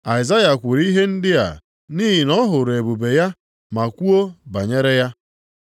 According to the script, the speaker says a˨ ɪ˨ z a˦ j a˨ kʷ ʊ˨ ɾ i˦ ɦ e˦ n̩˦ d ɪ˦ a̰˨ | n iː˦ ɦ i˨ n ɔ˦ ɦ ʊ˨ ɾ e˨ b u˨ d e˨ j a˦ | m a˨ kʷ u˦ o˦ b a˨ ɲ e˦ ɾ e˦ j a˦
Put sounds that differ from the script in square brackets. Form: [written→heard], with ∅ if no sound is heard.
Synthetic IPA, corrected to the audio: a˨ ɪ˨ z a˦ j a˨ kʷ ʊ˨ ɾ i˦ ɦ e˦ n̩˦ d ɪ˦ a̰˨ | n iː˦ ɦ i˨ n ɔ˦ ɦ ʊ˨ ɾ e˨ b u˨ [d→b] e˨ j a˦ | m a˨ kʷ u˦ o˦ b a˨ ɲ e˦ ɾ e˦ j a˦